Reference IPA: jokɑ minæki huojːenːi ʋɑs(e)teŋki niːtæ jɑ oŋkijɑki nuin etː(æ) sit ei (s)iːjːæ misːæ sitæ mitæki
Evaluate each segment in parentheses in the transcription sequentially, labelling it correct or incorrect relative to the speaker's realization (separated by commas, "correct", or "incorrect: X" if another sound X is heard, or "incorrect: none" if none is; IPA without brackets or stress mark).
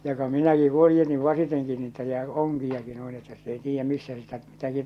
incorrect: i, correct, incorrect: t